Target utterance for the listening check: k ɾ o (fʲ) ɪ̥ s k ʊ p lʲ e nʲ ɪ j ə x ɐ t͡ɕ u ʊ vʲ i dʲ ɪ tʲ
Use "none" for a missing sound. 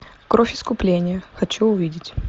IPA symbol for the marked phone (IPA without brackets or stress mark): fʲ